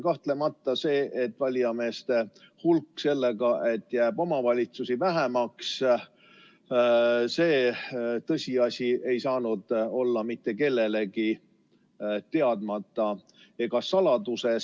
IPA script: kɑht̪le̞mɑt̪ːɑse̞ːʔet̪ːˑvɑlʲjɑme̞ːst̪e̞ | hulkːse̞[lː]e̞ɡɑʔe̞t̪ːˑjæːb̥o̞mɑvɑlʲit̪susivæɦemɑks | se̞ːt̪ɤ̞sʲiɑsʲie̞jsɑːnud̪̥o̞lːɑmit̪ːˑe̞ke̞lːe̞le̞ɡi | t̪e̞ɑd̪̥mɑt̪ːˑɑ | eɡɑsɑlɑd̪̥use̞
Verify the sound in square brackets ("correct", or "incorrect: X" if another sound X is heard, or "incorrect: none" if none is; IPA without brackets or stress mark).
correct